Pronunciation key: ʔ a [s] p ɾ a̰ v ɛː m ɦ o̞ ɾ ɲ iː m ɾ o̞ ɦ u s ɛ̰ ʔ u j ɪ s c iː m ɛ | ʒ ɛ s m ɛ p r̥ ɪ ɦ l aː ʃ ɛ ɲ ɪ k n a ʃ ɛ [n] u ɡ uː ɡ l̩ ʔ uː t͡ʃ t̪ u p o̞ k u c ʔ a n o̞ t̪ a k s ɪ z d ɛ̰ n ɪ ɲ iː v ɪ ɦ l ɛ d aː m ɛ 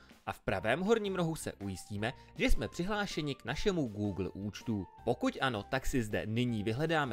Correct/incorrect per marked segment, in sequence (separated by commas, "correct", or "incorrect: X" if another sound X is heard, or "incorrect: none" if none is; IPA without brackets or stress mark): incorrect: f, incorrect: m